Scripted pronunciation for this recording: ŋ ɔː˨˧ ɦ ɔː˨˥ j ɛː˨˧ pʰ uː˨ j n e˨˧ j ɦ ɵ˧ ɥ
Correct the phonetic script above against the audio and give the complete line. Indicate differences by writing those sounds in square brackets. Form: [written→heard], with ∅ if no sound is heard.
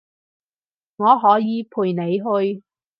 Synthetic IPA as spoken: ŋ ɔː˨˧ ɦ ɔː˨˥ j [ɛː˨˧→iː˨˧] pʰ uː˨ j n e˨˧ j ɦ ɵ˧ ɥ